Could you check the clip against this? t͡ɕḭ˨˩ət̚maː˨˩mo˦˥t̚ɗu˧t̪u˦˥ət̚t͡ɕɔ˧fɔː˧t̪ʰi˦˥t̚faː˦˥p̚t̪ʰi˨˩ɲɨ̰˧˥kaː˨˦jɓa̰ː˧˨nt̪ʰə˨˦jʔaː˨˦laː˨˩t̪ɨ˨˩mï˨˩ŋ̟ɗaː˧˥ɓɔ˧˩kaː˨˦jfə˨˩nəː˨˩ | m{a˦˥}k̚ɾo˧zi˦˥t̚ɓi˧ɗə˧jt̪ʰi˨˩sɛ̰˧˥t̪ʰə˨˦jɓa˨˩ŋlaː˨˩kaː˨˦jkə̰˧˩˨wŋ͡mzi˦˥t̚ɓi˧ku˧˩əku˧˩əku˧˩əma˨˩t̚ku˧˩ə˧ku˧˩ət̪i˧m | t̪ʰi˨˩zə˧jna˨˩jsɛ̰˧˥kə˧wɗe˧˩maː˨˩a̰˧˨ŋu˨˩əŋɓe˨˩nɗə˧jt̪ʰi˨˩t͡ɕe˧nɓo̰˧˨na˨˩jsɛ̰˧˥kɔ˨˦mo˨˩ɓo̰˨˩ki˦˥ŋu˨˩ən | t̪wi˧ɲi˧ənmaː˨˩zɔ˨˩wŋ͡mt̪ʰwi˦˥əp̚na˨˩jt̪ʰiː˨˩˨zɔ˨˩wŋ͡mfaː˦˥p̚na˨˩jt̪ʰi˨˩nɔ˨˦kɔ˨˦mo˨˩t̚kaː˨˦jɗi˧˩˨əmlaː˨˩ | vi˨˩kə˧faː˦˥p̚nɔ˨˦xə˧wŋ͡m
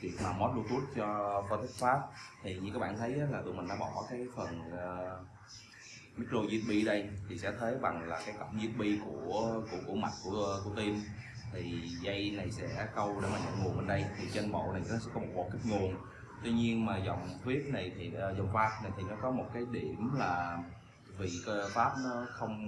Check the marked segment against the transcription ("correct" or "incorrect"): incorrect